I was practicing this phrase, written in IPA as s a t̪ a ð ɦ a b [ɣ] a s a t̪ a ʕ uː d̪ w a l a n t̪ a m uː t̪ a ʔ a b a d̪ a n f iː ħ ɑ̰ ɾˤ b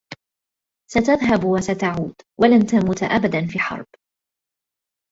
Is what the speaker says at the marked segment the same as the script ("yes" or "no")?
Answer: no